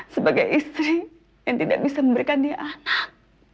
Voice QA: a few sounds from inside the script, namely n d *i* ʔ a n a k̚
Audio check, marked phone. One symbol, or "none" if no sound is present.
i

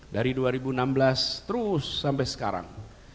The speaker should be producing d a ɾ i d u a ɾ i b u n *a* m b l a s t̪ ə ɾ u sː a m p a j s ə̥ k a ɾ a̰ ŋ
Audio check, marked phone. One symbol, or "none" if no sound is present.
a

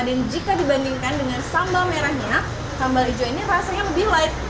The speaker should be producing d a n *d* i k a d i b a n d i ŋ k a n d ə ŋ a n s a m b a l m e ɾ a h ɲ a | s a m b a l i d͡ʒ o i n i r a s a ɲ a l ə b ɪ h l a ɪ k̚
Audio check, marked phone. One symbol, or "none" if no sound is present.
d͡ʒ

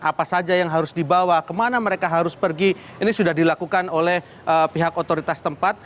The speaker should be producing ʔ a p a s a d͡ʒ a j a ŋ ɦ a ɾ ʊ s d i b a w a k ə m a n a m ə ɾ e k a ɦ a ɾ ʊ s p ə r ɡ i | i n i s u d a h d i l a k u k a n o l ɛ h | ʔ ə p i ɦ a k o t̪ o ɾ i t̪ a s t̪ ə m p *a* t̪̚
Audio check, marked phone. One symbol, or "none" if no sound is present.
a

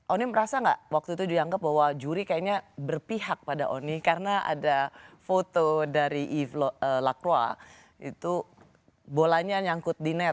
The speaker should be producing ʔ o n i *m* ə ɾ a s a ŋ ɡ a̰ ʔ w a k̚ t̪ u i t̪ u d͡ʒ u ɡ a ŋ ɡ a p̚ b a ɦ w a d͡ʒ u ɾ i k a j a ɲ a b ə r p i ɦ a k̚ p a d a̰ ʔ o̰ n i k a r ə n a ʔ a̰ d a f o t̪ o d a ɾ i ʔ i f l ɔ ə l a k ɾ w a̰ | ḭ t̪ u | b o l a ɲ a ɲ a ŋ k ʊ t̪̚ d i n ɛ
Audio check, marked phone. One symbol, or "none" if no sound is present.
m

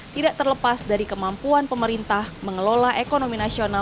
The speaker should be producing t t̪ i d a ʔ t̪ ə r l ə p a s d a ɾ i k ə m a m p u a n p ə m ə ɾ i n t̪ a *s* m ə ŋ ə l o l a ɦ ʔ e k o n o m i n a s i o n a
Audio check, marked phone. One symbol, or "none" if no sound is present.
h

